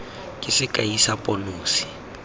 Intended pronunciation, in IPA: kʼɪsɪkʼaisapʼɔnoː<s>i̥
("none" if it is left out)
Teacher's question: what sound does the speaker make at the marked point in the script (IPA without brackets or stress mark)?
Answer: s